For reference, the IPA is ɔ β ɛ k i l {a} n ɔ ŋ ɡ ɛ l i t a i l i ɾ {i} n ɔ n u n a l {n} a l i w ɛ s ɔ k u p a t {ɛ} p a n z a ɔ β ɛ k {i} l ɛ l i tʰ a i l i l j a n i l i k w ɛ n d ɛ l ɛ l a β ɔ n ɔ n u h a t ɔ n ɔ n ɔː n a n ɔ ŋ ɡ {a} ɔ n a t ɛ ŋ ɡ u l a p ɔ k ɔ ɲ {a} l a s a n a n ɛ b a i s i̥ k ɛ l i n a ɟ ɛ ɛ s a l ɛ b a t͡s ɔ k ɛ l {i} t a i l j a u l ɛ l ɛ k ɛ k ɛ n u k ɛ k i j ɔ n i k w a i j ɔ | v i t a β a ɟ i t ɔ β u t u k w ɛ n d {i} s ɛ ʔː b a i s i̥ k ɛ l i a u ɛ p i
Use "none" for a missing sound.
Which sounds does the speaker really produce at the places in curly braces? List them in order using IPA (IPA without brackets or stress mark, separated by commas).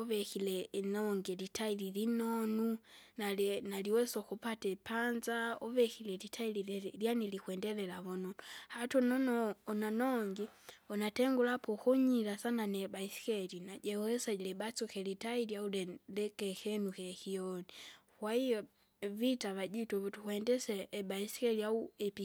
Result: ɛ, i, n, ɛ, i, i, i, i, ɛ